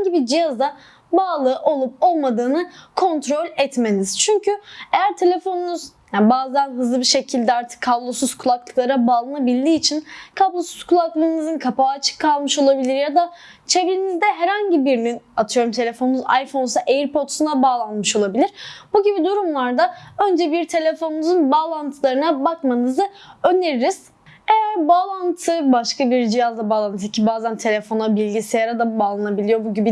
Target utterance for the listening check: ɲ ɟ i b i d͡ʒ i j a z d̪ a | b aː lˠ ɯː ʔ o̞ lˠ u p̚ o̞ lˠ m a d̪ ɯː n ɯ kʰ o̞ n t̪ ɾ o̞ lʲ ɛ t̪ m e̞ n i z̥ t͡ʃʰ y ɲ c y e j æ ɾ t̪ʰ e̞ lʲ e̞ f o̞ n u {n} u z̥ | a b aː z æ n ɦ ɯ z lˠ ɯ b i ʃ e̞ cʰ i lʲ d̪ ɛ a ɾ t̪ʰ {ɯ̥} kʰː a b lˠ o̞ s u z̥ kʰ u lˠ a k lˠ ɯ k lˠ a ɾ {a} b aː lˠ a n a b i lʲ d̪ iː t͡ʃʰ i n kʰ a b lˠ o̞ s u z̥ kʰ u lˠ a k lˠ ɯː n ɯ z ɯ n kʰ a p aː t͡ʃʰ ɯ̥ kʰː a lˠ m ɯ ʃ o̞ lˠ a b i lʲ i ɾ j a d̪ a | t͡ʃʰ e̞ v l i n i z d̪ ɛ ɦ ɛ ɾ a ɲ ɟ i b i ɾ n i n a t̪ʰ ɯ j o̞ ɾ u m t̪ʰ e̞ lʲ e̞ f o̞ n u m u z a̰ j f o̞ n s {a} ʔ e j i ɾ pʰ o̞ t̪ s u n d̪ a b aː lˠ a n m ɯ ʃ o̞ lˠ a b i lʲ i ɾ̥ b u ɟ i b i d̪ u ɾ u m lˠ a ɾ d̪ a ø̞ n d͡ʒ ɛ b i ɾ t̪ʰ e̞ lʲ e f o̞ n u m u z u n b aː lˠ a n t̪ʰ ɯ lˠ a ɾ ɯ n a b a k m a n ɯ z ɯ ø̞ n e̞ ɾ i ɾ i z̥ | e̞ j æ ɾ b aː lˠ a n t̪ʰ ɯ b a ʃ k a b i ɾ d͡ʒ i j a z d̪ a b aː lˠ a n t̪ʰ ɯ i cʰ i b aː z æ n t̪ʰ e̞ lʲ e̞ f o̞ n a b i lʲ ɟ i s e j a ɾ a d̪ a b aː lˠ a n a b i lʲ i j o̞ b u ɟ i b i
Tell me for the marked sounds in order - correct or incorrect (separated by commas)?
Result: correct, correct, correct, correct